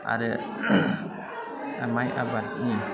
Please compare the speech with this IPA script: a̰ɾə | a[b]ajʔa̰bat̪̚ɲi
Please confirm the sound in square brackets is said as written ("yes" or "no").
no